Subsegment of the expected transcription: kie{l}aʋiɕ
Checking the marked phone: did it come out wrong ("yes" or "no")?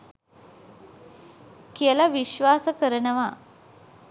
no